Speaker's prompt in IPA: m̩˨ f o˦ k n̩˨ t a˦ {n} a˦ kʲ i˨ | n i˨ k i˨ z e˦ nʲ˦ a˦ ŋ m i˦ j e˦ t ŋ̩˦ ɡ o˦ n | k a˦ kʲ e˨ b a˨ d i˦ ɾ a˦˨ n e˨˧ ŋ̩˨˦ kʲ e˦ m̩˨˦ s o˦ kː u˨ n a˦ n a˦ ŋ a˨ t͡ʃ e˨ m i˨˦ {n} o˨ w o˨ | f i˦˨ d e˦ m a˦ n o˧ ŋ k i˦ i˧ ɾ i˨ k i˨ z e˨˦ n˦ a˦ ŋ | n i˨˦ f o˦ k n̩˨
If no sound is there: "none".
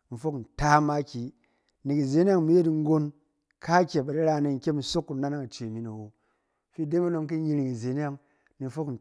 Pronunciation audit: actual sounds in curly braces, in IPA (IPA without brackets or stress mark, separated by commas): m, n